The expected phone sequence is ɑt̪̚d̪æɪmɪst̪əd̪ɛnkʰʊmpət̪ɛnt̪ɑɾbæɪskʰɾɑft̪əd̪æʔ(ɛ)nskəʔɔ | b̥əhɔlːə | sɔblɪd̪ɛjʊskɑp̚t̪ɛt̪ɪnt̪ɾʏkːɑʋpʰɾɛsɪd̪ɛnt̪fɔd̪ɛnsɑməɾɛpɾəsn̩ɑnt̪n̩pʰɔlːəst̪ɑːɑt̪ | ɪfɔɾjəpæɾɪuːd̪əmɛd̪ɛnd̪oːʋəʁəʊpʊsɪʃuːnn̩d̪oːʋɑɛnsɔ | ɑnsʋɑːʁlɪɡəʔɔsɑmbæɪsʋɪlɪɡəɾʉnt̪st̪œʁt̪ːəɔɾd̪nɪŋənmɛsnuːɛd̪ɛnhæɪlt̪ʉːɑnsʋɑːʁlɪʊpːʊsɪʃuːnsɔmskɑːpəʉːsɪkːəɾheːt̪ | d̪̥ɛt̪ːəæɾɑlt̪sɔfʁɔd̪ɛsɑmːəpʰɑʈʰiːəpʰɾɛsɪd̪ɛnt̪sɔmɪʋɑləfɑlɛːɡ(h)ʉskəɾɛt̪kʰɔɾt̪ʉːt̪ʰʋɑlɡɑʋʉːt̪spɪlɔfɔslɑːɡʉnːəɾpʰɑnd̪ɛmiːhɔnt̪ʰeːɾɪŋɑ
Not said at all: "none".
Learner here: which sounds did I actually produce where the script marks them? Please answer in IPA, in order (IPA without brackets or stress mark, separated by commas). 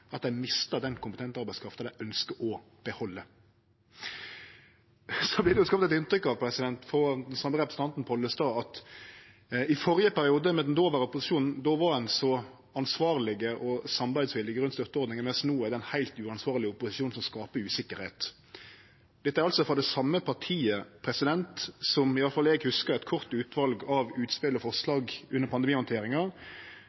œ, h